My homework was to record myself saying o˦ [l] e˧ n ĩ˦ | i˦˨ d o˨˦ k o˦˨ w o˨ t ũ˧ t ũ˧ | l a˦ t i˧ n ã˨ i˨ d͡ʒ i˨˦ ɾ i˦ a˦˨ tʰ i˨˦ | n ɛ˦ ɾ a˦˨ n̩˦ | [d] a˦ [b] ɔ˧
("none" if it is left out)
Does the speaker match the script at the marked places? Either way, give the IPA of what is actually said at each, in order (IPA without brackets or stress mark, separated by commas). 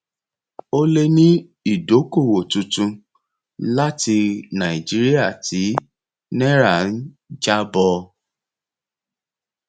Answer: l, d͡ʒ, b